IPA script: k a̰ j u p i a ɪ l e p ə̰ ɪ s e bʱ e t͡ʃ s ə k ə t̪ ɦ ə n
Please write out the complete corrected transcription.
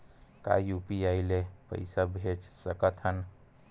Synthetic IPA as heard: k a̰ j u p i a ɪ l e p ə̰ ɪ s a bʱ e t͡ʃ s ə k ə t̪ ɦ ə n